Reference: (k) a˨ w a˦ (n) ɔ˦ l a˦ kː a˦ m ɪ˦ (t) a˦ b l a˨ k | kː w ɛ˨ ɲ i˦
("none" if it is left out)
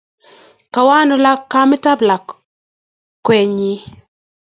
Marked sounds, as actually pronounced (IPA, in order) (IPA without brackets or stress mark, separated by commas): k, n, t